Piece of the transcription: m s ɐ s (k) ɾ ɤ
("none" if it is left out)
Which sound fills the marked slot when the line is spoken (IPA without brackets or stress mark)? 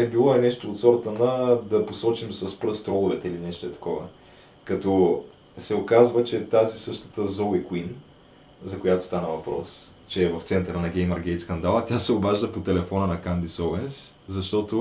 p